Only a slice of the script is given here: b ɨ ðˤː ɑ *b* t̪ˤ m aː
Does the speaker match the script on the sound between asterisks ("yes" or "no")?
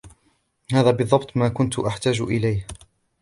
yes